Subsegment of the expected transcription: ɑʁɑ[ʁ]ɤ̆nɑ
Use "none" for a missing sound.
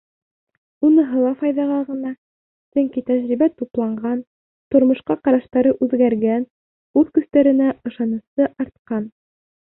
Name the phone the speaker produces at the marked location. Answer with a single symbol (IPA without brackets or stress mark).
ʁ